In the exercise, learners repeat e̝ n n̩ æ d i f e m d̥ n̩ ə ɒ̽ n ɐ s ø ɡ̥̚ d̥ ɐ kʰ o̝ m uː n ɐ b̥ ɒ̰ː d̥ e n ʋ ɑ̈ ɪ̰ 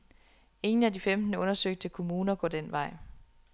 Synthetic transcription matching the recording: e̝ ŋ n̩ æ d i f e m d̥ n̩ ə ɔ̽ n ɐ s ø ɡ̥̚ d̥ ə kʰ o̝ m uː n ɐ ɡ̥ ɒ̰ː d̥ e n ʋ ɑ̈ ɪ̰